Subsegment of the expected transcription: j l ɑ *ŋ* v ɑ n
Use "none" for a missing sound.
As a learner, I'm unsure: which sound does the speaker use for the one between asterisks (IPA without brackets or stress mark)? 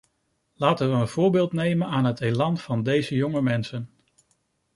n